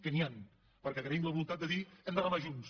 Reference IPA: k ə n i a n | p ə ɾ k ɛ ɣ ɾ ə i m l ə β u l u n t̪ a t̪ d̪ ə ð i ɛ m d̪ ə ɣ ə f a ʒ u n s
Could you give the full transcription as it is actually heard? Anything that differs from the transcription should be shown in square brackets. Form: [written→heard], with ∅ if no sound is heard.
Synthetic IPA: k ə n i a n | p ə ɾ k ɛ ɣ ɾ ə i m l ə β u l u n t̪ a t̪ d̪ ə ð i ɛ m d̪ ə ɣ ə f a ʒ u n s